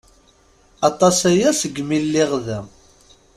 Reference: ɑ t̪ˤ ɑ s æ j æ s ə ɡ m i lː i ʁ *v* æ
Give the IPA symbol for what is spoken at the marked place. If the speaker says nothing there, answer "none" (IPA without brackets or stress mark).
ð